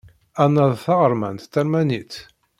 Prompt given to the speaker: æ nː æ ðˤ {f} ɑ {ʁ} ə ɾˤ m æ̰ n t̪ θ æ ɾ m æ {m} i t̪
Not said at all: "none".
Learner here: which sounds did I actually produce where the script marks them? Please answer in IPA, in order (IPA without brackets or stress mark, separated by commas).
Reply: θ, ʁ, n